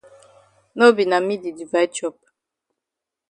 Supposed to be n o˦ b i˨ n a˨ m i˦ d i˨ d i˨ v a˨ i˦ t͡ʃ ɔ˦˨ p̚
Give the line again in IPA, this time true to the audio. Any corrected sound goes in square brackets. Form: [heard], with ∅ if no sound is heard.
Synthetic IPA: n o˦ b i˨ n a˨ m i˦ d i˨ d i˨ v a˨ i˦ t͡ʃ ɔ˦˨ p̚